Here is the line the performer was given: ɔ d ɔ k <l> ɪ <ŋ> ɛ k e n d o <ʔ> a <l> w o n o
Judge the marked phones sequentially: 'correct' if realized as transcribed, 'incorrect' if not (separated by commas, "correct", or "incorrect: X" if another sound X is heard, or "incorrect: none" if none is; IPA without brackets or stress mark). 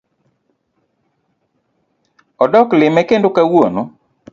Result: correct, incorrect: m, incorrect: k, incorrect: none